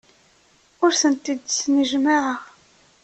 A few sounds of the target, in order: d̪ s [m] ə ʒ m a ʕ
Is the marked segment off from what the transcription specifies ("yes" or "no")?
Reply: yes